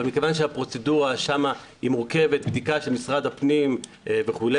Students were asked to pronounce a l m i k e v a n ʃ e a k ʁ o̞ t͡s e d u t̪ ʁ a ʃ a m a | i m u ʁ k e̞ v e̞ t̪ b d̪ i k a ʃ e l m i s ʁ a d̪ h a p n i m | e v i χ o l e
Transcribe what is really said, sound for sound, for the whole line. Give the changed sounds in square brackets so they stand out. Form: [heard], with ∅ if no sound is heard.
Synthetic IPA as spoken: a l m i k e v a n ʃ e a [p] ʁ o̞ t͡s e d u [∅] ʁ a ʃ a m a | i m u ʁ k e̞ v e̞ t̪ b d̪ i k a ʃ e l m i s ʁ a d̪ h a p n i m | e v [e] χ [u] l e